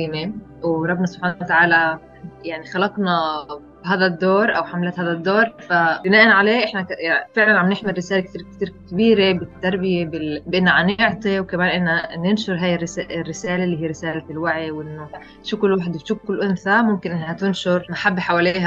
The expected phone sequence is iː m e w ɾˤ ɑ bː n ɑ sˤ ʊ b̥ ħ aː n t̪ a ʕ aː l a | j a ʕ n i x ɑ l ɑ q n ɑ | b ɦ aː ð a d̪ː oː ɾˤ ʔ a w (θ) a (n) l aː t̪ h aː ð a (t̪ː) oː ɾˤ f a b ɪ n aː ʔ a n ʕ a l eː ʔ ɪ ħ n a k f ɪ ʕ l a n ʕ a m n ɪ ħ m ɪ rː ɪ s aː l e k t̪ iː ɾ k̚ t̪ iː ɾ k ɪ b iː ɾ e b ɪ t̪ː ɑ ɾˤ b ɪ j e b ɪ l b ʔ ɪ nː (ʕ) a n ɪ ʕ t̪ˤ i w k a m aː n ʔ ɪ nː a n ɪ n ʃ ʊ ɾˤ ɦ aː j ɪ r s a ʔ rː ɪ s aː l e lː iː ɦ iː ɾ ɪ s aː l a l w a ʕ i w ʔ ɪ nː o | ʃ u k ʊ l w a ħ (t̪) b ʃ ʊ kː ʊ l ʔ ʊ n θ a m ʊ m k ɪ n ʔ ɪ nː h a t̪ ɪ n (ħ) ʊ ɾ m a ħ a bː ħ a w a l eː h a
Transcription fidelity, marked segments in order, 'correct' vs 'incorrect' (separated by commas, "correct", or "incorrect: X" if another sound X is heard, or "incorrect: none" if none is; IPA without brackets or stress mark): incorrect: ħ, incorrect: m, incorrect: d̪ː, correct, incorrect: d̪, incorrect: ʃ